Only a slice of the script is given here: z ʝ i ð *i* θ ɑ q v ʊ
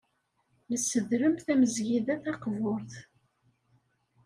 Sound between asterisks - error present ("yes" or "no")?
yes